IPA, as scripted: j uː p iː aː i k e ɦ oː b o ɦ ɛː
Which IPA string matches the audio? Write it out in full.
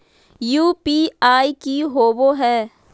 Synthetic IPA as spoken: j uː p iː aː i k i ɦ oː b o ɦ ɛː